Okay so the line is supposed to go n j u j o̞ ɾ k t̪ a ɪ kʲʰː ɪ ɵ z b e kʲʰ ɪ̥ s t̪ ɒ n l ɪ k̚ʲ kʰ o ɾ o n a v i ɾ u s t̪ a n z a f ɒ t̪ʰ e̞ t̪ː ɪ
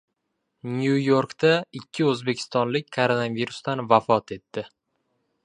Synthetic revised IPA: n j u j o̞ ɾ k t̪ a ɪ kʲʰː ɪ ɵ z b e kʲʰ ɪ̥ s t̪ ɒ n l ɪ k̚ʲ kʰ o ɾ o n a v i ɾ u s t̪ a n v a f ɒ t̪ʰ e̞ t̪ː ɪ